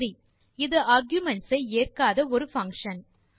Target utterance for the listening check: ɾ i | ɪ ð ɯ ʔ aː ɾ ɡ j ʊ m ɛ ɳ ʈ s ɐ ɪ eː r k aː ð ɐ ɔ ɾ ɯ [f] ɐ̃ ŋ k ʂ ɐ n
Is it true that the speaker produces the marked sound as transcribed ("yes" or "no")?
yes